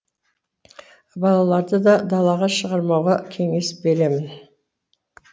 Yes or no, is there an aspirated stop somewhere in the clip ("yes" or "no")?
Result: yes